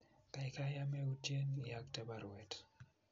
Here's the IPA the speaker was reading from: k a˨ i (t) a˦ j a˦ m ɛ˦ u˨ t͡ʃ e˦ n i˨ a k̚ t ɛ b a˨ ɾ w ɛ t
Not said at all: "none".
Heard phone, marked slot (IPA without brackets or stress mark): k